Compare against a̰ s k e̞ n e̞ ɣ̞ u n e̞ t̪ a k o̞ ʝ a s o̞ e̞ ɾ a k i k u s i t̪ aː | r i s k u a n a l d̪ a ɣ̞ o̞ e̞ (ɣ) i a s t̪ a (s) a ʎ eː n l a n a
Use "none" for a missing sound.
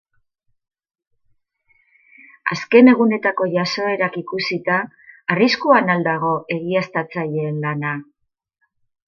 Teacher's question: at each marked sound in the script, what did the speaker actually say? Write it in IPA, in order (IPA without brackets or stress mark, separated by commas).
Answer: ɣ, t͡s